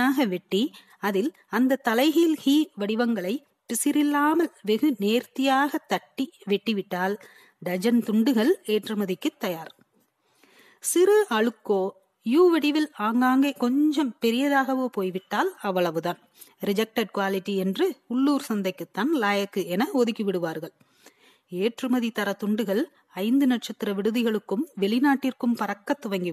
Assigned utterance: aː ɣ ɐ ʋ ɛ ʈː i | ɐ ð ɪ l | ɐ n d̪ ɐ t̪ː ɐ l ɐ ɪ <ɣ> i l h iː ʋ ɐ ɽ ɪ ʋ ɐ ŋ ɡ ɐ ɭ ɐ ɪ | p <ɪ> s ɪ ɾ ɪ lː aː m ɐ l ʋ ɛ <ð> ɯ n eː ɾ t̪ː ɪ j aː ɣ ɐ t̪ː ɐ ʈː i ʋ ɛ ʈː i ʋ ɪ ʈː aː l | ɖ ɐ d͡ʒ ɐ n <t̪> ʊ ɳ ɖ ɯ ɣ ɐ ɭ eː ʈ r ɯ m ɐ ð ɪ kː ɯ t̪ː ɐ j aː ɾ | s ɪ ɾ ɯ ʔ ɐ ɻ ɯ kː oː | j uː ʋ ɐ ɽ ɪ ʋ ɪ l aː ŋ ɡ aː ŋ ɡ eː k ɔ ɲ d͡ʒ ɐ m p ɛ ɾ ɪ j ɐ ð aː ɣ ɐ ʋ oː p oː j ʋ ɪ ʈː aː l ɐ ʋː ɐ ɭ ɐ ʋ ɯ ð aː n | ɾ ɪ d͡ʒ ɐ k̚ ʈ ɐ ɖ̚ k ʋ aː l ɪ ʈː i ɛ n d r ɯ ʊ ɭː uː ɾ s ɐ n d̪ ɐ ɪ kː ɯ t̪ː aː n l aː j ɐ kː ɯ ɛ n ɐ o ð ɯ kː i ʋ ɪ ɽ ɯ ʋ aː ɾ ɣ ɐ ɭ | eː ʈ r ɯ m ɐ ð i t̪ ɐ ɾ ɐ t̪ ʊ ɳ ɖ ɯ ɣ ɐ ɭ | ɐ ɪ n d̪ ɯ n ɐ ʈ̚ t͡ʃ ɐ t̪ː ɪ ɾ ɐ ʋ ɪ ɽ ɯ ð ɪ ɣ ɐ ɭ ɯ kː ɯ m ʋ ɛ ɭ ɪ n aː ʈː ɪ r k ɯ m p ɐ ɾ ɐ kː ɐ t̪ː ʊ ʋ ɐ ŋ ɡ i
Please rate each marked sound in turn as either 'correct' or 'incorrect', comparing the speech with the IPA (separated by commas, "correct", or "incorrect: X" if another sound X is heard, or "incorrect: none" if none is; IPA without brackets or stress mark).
correct, correct, incorrect: ɣ, correct